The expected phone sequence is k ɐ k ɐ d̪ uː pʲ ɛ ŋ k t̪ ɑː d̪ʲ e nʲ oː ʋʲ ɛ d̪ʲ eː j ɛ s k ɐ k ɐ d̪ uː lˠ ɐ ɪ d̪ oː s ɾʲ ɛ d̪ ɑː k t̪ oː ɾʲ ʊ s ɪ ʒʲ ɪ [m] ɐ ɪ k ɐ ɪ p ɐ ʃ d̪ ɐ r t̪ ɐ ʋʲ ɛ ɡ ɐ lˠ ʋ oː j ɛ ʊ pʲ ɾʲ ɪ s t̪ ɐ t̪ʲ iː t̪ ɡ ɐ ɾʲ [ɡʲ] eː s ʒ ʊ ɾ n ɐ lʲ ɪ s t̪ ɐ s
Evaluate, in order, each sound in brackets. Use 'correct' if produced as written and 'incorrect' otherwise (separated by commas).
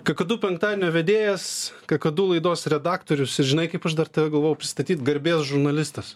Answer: incorrect, incorrect